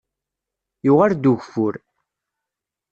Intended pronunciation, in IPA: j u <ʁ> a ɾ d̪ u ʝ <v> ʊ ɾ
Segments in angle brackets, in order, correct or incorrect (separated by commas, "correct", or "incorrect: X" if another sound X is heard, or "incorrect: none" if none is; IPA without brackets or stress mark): correct, incorrect: f